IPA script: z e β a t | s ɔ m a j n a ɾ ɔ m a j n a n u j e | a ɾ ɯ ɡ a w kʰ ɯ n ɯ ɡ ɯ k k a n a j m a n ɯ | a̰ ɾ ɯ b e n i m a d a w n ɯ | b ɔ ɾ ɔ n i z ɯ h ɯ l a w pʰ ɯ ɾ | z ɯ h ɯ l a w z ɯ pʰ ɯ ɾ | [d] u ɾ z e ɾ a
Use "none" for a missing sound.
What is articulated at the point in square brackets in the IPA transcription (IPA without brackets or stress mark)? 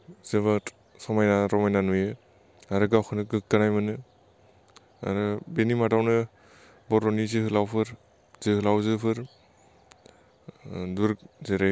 d